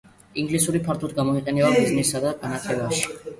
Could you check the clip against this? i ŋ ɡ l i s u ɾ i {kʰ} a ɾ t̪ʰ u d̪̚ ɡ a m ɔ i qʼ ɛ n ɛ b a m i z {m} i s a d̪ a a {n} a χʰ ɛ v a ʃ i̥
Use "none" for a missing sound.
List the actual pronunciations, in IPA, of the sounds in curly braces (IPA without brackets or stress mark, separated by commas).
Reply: pʰ, n, n